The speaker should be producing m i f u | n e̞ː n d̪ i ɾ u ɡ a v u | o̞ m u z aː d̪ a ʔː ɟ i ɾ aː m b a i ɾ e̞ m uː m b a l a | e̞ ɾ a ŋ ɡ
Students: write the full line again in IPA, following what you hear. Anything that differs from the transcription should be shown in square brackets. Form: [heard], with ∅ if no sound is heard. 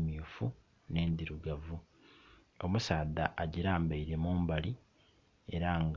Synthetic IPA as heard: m i f u | n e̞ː n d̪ i ɾ u ɡ a v u | o̞ m u [s] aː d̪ a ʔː ɟ i ɾ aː m b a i ɾ e̞ m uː m b a l [i] | e̞ ɾ a ŋ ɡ